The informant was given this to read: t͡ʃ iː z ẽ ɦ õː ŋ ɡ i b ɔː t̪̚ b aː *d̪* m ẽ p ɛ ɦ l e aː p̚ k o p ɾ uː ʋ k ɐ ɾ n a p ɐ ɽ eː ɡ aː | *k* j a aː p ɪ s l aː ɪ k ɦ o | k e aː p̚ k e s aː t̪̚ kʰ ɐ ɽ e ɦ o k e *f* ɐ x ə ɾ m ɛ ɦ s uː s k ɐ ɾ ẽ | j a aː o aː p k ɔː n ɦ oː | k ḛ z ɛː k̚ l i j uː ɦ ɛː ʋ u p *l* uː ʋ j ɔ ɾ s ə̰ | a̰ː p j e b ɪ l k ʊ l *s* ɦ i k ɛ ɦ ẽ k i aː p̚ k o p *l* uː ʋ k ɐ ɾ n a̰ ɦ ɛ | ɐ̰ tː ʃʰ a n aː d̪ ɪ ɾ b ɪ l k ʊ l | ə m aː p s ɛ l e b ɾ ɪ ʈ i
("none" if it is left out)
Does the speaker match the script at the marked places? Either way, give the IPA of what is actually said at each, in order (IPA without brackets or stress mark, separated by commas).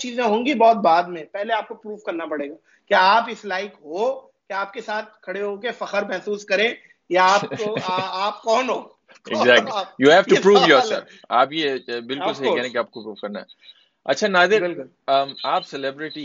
d̪, k, f, ɾ, s, ɾ